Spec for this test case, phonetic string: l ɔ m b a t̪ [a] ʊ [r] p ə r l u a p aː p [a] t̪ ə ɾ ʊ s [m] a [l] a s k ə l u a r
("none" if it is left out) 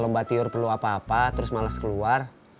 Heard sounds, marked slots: i, r, a, m, l

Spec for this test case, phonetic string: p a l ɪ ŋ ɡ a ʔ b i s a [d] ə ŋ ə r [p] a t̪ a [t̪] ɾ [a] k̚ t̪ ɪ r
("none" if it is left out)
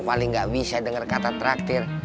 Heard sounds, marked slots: d, k, t̪, a

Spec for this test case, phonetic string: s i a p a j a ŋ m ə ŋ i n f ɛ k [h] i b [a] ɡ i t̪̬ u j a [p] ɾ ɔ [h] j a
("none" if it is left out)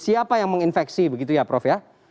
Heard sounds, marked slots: s, ə, p, f

